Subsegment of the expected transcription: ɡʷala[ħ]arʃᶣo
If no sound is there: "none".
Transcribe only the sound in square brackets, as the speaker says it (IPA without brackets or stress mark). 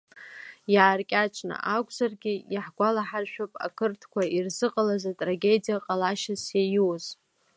ħ